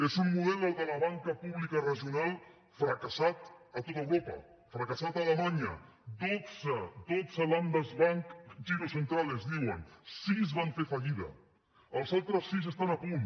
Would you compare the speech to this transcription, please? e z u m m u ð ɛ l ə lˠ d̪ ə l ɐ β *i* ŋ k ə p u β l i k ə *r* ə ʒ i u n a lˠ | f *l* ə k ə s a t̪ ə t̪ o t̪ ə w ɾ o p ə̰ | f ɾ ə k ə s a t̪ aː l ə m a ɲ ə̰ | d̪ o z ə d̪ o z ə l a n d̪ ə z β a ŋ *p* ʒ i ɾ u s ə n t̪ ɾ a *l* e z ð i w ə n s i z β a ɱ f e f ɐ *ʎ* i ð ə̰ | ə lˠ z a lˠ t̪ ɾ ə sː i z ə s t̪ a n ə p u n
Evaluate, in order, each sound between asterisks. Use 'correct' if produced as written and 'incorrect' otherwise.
incorrect: a, correct, incorrect: ɾ, incorrect: k, correct, correct

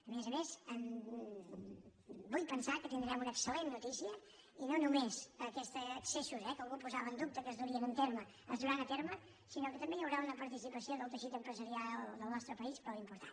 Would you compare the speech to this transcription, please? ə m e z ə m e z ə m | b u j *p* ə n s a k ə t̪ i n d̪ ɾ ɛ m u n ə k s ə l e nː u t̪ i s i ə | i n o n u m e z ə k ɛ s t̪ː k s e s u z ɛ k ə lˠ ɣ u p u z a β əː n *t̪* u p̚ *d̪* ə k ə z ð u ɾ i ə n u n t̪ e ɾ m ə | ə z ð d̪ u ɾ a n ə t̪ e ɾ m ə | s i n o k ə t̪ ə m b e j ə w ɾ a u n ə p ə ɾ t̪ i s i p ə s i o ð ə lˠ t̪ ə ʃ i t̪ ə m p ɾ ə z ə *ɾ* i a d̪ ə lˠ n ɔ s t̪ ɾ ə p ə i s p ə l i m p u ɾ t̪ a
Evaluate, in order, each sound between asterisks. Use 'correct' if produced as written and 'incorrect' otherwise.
correct, incorrect: d̪, incorrect: t̪, correct

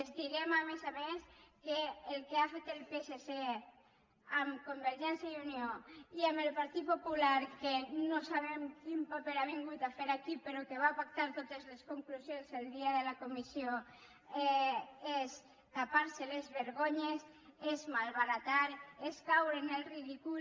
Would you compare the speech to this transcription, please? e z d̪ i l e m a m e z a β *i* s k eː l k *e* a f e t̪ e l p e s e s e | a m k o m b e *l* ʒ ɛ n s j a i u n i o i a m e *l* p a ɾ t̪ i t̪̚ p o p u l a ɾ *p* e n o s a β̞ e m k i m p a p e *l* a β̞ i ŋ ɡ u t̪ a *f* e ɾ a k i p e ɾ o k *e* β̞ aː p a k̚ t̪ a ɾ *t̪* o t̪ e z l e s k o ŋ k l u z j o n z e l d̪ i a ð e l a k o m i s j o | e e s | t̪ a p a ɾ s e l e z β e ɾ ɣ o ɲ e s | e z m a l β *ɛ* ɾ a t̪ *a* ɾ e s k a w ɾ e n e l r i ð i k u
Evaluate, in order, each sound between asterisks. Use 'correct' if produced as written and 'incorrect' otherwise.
incorrect: e, correct, incorrect: ɾ, correct, incorrect: k, incorrect: ɾ, correct, correct, correct, incorrect: a, correct

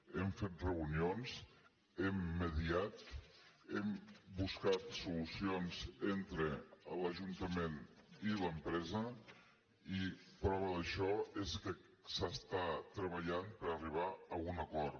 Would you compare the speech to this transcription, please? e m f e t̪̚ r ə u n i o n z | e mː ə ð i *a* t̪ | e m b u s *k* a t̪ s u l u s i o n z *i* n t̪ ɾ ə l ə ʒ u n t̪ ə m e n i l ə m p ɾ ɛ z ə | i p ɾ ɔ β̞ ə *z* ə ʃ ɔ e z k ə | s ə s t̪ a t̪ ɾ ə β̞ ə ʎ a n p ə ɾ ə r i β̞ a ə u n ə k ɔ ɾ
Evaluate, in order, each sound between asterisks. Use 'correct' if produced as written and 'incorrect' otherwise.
correct, correct, incorrect: e, incorrect: ð

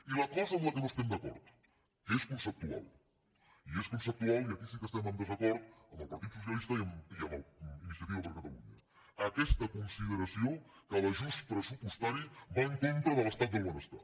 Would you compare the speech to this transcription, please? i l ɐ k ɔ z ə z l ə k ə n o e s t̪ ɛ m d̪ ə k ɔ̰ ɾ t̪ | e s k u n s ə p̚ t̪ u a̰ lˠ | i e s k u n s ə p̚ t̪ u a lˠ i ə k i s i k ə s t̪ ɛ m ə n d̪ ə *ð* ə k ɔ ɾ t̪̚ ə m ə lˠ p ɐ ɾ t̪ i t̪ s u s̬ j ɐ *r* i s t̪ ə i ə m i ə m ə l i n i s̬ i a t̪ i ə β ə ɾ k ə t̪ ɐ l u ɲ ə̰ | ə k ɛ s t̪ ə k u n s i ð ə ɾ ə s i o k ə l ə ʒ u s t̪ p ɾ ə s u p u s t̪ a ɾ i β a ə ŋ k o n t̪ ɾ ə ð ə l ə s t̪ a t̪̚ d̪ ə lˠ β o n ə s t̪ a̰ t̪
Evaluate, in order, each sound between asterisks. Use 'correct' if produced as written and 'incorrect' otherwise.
incorrect: z, incorrect: l

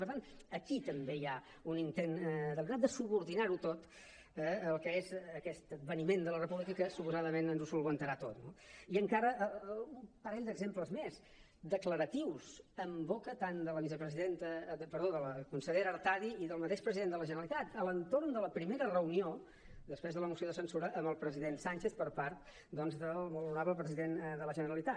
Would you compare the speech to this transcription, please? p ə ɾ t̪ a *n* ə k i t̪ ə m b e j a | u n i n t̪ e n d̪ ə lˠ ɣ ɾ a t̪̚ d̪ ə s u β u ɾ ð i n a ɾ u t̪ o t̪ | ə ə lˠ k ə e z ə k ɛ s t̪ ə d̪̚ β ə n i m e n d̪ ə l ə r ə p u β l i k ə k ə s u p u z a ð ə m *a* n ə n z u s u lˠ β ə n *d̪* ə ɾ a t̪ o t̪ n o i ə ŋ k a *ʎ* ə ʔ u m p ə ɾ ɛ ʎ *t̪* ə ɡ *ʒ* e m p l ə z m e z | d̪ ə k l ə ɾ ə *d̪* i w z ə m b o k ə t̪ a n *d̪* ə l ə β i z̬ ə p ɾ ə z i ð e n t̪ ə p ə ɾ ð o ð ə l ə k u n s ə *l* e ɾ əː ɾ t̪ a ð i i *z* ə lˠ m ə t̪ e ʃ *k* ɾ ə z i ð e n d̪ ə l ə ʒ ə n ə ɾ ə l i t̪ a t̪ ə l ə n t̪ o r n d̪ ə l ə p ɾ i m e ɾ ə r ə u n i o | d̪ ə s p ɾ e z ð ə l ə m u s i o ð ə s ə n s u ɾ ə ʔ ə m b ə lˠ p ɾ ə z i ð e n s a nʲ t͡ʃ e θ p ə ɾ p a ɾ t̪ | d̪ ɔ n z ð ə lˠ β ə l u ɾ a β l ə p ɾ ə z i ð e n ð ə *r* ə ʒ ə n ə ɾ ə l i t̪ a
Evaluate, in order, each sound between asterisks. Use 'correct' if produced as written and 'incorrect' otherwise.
correct, incorrect: e, incorrect: t̪, incorrect: ɾ, incorrect: d̪, incorrect: z, incorrect: t̪, correct, incorrect: ʎ, incorrect: ð, incorrect: p, incorrect: l

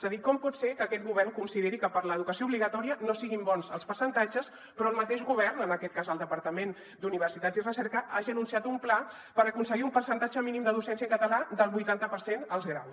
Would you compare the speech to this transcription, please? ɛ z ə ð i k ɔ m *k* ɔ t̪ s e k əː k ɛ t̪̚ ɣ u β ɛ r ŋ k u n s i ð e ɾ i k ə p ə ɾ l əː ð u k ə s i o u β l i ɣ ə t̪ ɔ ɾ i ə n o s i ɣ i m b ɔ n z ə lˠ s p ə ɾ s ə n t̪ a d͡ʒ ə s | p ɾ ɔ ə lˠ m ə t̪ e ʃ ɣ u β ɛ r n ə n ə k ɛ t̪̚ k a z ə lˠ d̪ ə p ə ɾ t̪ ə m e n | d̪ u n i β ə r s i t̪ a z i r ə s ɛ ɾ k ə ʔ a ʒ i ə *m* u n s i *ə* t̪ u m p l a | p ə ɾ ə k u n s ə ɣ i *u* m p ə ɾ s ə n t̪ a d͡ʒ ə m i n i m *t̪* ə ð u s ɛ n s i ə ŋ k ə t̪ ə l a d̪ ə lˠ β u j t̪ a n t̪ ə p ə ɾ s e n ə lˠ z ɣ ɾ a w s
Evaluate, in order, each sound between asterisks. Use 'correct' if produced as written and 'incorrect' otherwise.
incorrect: p, incorrect: n, incorrect: a, correct, incorrect: d̪

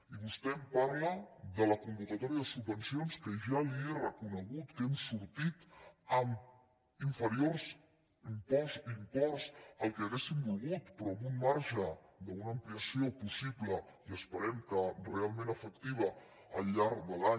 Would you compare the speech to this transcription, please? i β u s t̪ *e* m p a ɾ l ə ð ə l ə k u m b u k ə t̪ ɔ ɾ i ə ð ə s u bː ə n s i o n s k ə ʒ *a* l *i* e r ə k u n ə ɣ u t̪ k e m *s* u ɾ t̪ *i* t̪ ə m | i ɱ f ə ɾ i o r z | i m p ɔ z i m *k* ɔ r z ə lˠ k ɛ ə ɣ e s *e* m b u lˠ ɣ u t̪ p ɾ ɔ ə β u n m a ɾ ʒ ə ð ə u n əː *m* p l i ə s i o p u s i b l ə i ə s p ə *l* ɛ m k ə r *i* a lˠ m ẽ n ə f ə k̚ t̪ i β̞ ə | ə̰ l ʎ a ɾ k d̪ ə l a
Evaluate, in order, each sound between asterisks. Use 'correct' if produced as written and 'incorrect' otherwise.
incorrect: ɛ, correct, correct, correct, correct, incorrect: p, incorrect: i, correct, incorrect: ɾ, incorrect: e

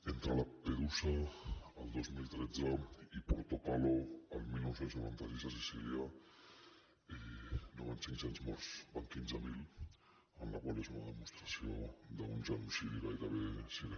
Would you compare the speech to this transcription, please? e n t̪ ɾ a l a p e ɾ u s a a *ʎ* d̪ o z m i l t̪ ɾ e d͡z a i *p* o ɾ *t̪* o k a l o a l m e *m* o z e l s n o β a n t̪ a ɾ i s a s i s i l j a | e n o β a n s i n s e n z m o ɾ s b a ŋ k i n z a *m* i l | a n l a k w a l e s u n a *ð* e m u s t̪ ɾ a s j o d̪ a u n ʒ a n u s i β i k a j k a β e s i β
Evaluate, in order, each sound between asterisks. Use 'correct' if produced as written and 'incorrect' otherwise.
incorrect: l, correct, correct, incorrect: n, correct, correct

